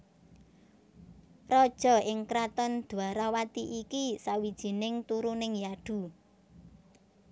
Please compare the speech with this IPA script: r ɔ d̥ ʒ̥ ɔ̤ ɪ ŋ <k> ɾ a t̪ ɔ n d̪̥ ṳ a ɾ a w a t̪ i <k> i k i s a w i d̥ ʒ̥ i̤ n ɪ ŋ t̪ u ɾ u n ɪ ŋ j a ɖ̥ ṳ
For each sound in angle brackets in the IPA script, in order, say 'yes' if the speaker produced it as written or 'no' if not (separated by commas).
yes, no